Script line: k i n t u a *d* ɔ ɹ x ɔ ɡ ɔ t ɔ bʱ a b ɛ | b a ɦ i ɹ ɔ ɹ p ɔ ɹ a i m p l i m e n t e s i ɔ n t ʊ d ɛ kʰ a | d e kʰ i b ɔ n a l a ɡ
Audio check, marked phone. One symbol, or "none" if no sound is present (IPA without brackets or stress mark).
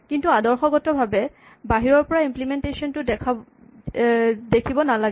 d